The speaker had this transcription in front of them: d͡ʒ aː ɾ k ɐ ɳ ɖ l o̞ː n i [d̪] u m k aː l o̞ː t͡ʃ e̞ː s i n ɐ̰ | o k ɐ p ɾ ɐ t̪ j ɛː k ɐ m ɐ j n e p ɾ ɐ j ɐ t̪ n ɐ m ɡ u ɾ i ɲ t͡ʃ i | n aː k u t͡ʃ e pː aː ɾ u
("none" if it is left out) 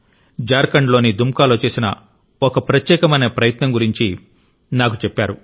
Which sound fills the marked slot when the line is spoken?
d̪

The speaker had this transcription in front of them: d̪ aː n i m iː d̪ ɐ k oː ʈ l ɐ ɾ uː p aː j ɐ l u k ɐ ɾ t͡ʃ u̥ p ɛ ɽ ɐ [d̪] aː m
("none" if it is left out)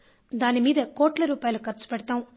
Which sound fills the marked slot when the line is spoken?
t̪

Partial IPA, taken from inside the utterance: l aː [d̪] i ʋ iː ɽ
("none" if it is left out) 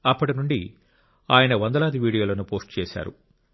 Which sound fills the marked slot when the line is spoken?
d̪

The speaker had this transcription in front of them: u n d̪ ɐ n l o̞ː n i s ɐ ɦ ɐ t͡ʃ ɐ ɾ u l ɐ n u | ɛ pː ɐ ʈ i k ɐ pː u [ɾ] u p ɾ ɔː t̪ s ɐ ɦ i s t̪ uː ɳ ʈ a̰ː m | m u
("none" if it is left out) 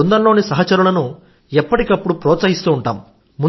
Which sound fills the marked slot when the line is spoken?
ɽ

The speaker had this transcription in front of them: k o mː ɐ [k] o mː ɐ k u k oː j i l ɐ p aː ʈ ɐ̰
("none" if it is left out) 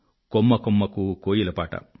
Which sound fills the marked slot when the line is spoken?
k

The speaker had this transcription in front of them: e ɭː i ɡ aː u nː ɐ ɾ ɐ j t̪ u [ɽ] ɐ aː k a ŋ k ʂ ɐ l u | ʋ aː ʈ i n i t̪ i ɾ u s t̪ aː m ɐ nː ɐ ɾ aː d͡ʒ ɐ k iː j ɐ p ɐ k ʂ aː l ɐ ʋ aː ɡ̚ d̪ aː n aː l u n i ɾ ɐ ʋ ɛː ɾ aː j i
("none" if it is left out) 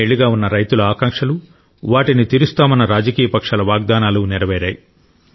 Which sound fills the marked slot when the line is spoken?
l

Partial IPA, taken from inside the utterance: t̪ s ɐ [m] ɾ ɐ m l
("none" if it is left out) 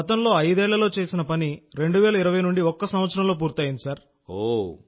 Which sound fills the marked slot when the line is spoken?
none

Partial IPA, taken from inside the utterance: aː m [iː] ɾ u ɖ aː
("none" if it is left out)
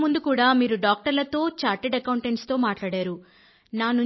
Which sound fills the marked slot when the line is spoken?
iː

